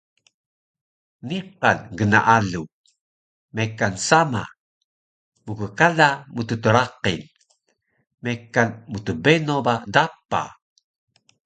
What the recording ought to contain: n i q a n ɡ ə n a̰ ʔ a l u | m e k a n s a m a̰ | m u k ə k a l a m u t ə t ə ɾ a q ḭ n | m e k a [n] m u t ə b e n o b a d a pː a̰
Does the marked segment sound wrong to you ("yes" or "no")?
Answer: no